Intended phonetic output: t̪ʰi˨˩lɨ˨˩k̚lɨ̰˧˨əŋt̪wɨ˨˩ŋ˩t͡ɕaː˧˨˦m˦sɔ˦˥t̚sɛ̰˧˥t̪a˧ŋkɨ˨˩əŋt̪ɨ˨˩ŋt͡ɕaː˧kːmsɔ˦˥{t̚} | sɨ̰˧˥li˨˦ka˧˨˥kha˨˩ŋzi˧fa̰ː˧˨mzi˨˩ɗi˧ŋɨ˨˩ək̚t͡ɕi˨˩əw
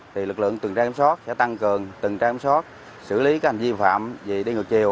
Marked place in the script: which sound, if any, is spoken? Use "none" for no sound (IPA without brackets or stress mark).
t̚